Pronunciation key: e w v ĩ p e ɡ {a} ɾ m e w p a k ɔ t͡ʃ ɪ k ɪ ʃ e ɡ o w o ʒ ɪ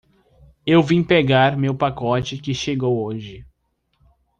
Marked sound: correct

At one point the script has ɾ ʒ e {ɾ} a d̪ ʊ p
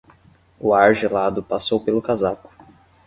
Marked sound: incorrect: l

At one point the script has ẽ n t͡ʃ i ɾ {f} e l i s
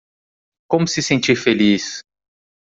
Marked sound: correct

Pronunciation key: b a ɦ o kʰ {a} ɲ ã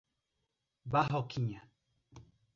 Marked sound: incorrect: i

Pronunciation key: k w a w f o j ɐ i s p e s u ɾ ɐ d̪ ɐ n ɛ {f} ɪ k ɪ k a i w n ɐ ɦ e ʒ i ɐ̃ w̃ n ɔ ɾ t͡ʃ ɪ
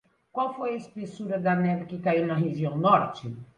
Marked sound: incorrect: v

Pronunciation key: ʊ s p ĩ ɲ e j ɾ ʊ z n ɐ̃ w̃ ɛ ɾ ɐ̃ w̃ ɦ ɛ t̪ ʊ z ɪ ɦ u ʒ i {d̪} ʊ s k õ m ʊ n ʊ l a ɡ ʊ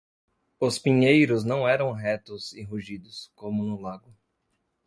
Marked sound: correct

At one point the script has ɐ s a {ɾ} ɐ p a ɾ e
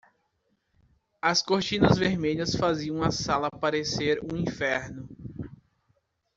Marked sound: incorrect: l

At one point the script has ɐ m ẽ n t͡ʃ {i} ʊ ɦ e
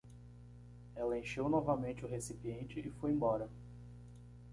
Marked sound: incorrect: ɪ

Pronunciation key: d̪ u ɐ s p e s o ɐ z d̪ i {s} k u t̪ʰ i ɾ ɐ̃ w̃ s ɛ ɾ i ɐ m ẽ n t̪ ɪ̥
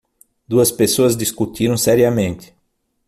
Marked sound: correct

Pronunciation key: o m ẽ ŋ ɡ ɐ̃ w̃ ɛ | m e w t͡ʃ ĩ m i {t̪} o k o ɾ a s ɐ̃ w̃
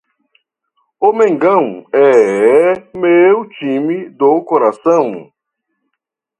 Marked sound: incorrect: d̪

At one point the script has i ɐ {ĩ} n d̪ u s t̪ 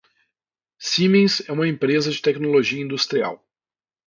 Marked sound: correct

